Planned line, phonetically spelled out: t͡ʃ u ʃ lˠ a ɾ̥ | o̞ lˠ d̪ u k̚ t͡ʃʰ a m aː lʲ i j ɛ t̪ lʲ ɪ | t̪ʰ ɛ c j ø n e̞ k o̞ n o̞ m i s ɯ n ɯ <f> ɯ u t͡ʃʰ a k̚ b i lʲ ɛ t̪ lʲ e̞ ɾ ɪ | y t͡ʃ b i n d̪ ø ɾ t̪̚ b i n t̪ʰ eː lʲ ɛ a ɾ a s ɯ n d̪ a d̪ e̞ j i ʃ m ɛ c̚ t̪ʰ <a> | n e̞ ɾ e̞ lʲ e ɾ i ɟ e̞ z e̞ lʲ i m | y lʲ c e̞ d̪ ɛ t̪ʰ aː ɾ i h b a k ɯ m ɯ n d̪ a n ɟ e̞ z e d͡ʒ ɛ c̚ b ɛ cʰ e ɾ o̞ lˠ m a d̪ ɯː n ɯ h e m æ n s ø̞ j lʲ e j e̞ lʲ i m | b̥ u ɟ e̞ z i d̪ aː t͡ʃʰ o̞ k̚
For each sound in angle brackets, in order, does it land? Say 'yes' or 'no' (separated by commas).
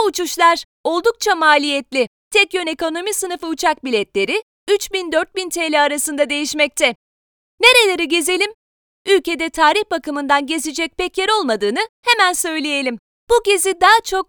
yes, no